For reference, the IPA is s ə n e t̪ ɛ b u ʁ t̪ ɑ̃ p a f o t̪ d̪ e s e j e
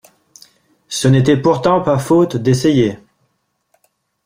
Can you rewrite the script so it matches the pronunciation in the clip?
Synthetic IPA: s ə n e t̪ ɛ p u ʁ t̪ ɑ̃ p a f o t̪ d̪ e s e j e